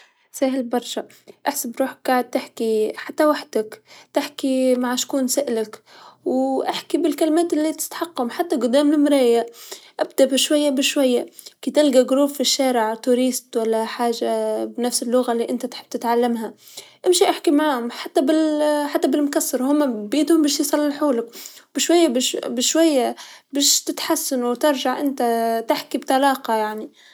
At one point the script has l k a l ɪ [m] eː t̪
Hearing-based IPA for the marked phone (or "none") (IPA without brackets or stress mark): m